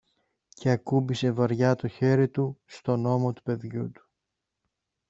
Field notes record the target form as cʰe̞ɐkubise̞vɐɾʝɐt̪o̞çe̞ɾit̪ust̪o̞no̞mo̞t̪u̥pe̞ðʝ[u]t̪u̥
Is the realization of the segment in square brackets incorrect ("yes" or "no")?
no